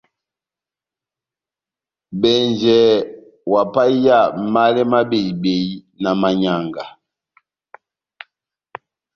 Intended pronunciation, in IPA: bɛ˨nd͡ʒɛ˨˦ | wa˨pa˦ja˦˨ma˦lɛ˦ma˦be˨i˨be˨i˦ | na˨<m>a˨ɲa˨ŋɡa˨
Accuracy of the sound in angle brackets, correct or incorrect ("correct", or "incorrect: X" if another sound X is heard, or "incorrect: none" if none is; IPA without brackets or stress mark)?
correct